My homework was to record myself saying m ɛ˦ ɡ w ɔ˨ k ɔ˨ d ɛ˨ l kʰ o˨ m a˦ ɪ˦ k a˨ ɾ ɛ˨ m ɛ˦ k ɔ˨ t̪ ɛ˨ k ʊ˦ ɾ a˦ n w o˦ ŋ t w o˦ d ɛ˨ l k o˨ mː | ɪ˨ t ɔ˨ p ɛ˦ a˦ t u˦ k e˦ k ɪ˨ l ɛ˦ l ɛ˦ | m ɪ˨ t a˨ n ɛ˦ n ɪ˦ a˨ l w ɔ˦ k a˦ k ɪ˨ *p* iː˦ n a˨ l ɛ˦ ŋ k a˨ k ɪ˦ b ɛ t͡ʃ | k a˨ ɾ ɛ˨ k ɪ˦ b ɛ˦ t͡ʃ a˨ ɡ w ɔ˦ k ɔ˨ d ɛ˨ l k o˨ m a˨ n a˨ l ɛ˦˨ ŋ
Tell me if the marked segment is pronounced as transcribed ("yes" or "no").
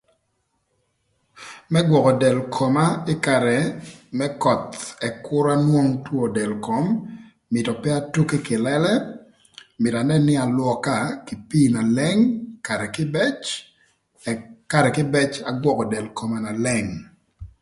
yes